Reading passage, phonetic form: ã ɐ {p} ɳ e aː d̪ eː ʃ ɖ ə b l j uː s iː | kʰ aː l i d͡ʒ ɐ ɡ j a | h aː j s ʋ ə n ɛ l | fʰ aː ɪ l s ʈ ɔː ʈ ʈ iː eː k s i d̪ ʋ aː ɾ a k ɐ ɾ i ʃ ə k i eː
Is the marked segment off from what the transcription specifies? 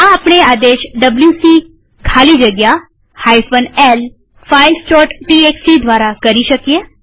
no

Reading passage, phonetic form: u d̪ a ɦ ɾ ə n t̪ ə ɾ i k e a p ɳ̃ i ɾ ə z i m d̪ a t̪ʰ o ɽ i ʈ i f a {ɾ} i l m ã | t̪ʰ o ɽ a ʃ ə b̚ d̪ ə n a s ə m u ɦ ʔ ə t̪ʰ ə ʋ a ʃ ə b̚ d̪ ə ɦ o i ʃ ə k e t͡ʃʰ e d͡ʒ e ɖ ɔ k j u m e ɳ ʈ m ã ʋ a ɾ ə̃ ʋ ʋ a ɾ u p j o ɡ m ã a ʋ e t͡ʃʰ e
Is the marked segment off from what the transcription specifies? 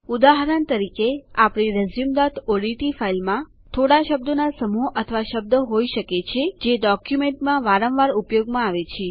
yes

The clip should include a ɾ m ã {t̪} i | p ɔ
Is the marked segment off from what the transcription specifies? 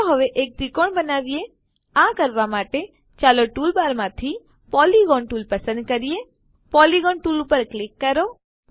yes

